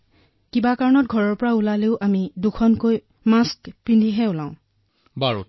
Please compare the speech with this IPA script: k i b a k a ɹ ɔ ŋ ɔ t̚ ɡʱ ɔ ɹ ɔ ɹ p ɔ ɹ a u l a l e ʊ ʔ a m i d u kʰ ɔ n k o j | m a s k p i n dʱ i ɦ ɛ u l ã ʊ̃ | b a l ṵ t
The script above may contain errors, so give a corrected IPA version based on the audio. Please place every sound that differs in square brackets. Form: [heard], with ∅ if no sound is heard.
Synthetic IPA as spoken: k i b a k a ɹ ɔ [n] ɔ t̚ ɡʱ ɔ ɹ ɔ ɹ p ɔ ɹ a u l a l e ʊ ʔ a m i d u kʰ ɔ n k o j | m a s k p i n dʱ i ɦ ɛ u l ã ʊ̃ | b a [ɹ] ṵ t